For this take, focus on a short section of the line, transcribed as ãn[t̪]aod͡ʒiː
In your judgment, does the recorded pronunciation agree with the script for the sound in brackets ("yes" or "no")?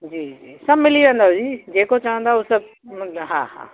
no